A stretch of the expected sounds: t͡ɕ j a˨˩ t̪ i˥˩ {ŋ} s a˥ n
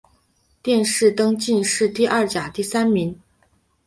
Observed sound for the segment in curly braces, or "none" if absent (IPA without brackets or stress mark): none